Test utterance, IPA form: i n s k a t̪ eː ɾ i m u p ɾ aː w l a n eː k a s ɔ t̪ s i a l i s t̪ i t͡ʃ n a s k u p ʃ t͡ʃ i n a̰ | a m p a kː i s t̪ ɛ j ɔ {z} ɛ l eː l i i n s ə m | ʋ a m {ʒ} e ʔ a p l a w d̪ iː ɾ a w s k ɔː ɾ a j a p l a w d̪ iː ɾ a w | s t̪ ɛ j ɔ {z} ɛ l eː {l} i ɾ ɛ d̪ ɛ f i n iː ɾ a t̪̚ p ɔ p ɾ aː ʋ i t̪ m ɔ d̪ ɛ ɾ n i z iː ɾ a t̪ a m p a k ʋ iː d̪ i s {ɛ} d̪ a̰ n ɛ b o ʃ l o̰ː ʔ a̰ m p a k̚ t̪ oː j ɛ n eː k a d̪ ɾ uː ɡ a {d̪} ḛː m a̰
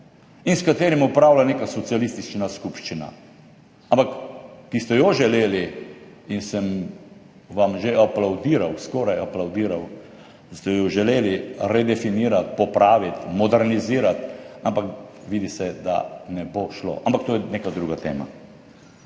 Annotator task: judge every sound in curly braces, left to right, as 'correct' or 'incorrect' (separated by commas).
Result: incorrect, correct, incorrect, correct, correct, incorrect